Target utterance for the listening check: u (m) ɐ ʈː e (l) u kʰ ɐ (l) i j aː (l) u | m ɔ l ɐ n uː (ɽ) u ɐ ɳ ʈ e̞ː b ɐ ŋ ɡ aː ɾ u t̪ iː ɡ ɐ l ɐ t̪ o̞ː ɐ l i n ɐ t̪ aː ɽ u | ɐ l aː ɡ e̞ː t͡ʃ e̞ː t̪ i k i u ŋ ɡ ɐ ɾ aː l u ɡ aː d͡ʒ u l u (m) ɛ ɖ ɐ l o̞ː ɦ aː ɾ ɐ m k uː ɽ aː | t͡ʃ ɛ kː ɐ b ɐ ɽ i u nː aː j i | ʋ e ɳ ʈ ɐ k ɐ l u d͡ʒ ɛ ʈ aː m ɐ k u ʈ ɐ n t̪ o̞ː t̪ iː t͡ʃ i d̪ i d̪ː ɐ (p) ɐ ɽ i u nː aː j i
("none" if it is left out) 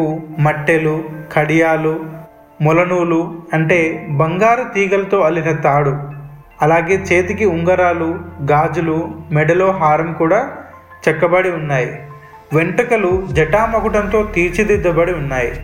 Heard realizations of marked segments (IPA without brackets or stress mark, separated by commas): m, l, ɽ, l, l, m, b